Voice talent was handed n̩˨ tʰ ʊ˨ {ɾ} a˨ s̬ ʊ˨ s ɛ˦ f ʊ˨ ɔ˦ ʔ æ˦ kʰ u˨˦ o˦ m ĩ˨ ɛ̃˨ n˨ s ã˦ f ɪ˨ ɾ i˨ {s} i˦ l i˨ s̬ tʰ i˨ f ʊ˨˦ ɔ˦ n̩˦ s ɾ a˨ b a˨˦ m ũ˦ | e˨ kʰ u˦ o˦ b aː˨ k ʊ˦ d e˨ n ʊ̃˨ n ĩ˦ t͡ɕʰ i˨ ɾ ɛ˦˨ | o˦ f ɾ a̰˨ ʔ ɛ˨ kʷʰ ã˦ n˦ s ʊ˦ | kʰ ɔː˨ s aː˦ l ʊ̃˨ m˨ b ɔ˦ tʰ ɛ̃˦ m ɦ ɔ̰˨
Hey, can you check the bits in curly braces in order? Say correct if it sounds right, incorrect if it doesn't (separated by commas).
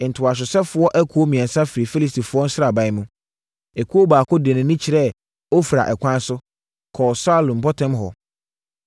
incorrect, incorrect